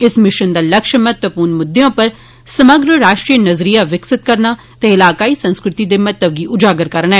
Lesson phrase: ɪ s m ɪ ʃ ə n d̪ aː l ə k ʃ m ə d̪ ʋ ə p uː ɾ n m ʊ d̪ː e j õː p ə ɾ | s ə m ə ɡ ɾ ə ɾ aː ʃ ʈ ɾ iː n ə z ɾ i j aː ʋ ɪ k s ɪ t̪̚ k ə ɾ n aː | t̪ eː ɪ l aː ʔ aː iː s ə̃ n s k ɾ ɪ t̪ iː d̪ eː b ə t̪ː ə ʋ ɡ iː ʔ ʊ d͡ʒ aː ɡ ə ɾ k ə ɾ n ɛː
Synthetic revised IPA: ɪ s m ɪ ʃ ə n d̪ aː l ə k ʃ m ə t̪ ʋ ə p uː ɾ n m ʊ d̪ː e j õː p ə ɾ | s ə m ə ɡ ɾ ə ɾ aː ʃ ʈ ɾ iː n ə z ɾ i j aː ʋ ɪ k s ɪ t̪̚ k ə ɾ n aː | t̪ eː ɪ l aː k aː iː s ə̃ n s k ɾ ɪ t̪ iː d̪ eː m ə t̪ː ə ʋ ɡ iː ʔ ʊ d͡ʒ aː ɡ ə ɾ k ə ɾ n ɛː